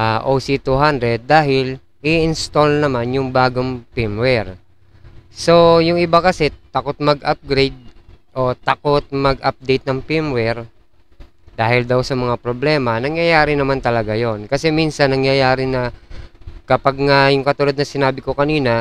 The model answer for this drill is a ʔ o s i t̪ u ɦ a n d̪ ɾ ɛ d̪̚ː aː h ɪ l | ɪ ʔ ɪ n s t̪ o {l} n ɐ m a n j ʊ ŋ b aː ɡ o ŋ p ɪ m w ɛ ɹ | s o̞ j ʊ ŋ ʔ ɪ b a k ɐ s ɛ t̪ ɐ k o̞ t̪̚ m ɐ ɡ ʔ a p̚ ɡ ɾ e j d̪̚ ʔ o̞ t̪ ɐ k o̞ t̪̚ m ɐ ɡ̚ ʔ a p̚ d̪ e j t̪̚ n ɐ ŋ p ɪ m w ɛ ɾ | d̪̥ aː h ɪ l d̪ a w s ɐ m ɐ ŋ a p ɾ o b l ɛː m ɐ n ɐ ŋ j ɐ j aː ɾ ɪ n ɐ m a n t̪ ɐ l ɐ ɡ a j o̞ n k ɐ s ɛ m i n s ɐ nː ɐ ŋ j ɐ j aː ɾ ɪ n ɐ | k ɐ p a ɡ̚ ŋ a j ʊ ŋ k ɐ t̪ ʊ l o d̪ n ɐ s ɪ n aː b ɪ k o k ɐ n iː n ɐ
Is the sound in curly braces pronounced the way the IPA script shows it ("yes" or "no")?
yes